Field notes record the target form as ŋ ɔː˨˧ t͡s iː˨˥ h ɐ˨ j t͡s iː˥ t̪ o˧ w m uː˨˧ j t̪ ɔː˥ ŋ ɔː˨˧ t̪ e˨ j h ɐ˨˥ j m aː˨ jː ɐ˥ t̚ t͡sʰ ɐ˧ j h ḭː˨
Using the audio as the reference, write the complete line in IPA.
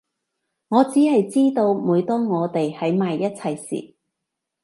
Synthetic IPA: ŋ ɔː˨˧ t͡s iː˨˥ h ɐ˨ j t͡s iː˥ t̪ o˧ w m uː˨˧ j t̪ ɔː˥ ŋ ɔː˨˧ t̪ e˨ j h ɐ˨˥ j m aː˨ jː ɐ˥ t̚ t͡sʰ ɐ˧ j s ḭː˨